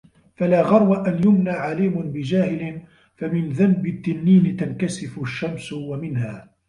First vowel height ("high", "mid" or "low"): low